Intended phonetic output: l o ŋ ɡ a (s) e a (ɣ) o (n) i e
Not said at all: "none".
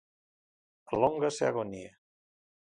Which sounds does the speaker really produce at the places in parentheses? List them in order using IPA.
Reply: s, ɣ, n

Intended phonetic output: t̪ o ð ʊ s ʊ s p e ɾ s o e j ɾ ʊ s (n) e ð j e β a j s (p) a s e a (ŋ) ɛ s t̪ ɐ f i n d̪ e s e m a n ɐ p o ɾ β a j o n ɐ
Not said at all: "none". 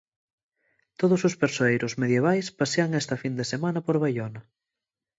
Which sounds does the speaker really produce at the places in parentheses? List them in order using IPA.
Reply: m, p, ŋ

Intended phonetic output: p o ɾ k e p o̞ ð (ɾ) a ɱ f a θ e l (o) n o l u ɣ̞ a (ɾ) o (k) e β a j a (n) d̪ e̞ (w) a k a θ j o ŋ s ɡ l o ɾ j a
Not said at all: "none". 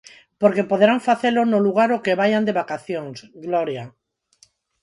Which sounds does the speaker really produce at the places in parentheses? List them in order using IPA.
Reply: ɾ, o, ɾ, k, n, β

